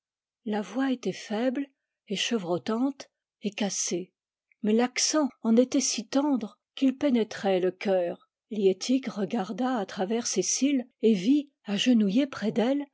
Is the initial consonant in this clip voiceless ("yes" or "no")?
no